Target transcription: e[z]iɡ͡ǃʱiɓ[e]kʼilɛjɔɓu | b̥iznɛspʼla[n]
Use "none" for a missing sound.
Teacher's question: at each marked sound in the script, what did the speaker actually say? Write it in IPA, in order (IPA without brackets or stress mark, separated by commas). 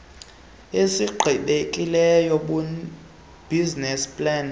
s, e, n